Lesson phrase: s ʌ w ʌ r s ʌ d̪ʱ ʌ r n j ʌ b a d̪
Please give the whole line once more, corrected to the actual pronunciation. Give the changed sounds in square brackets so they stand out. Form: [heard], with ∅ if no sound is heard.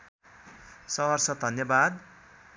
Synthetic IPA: s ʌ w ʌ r s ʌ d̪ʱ ʌ [∅] n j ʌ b a d̪